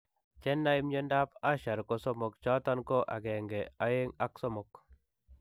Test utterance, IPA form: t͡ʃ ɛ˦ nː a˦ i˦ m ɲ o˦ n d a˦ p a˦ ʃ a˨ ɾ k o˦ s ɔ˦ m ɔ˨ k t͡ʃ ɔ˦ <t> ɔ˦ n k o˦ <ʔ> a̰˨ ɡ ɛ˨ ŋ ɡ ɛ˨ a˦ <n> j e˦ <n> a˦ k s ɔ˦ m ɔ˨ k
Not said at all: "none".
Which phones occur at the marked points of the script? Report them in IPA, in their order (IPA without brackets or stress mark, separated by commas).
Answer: t, ʔ, none, ŋ